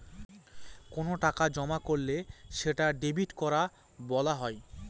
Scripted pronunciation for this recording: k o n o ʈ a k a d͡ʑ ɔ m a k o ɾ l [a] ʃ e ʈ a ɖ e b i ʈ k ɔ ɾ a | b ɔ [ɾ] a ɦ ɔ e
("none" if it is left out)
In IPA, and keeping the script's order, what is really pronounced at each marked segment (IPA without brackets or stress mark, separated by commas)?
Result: e, l